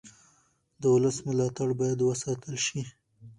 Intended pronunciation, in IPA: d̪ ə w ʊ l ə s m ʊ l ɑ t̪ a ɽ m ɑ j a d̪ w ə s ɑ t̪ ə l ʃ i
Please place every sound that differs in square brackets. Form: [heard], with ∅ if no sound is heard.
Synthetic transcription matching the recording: d̪ ə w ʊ l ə s m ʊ l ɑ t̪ a ɽ [b] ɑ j a d̪ w ə s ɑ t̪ ə l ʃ i